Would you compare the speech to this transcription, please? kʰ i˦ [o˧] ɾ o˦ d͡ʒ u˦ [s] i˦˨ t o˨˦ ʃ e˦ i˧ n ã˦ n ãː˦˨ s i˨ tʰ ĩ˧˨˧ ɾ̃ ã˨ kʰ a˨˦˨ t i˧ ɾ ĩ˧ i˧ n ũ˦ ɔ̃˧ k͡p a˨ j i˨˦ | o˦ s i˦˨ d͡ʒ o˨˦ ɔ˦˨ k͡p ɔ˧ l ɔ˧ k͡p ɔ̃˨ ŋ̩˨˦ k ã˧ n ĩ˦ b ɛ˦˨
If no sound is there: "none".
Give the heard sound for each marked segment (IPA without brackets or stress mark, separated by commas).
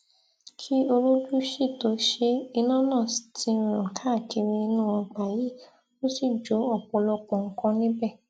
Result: o˧, ʃ